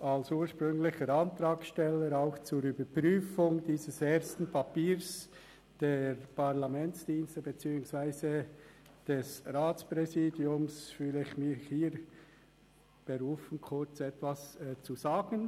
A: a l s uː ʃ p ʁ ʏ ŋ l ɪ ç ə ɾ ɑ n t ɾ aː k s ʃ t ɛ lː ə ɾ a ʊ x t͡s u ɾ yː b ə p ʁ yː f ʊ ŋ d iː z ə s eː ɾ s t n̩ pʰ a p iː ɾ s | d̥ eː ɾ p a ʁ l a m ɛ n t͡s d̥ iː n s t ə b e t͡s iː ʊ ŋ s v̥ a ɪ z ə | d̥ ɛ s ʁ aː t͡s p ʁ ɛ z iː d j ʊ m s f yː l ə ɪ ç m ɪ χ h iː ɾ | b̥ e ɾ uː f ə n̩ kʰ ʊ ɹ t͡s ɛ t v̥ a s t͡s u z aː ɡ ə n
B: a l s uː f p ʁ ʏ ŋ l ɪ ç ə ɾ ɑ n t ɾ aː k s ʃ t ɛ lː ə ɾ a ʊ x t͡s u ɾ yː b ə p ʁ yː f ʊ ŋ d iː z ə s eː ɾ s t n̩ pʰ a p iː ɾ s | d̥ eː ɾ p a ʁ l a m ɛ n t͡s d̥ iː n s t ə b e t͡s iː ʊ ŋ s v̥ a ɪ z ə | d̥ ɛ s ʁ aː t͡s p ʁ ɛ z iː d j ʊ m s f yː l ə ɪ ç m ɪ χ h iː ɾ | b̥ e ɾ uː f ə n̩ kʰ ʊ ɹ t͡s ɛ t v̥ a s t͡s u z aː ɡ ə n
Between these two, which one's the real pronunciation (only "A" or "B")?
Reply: A